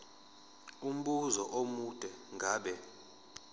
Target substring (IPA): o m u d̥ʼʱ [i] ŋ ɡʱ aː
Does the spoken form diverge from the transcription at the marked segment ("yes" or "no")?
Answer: yes